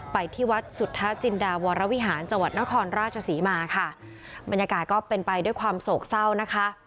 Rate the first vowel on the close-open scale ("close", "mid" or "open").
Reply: open